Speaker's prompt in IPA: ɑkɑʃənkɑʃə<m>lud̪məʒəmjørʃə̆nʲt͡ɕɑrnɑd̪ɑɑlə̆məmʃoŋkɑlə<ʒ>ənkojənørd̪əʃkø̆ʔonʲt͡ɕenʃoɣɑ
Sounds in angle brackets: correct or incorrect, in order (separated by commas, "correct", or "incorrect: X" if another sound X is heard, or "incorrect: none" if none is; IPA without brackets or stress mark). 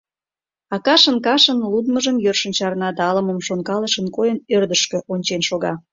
incorrect: n, incorrect: ʃ